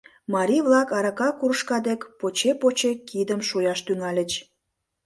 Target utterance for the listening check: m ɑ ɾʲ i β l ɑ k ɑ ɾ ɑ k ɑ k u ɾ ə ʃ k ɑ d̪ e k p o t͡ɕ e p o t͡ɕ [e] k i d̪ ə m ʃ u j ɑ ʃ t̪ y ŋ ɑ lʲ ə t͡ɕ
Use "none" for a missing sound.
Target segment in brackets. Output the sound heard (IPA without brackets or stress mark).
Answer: e